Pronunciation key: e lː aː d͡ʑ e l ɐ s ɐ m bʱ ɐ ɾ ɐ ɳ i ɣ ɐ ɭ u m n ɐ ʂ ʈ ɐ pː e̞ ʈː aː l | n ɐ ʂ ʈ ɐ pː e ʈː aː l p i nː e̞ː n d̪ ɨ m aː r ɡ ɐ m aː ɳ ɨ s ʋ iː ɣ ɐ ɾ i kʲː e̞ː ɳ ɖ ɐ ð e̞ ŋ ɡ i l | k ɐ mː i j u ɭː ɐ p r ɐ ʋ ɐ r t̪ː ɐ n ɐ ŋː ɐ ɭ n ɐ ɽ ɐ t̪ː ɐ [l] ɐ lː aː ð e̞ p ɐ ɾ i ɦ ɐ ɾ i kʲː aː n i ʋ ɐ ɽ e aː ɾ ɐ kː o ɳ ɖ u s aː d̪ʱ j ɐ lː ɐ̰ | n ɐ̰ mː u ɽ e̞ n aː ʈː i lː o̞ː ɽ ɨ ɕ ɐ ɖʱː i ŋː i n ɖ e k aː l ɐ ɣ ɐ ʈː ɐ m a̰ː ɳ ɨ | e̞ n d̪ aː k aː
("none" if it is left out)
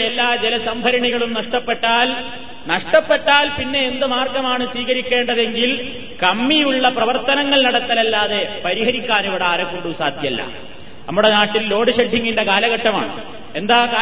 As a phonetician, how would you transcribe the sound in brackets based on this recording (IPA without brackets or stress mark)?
l